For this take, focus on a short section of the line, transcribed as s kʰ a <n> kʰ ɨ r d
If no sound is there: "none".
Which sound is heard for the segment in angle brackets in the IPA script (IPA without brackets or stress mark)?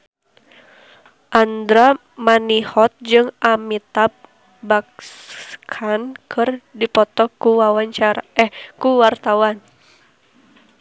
n